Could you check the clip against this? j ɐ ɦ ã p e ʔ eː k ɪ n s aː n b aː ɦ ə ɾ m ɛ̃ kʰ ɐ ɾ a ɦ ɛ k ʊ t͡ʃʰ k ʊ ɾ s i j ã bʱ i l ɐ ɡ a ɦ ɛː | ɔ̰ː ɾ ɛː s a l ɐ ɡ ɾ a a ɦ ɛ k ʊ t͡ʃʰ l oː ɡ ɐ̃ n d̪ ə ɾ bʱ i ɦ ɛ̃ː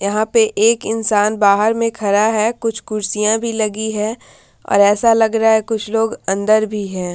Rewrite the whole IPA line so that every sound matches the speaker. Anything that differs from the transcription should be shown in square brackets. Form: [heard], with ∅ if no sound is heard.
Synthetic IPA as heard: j ɐ ɦ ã p e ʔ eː k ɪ n s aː n b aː ɦ ə ɾ m [ẽ] kʰ ɐ ɾ a ɦ ɛ k ʊ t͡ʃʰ k ʊ ɾ s i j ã bʱ i l ɐ ɡ [i] ɦ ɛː | ɔ̰ː ɾ ɛː s a l ɐ ɡ ɾ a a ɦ ɛ k ʊ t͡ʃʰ l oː ɡ ɐ̃ n d̪ ə ɾ bʱ i ɦ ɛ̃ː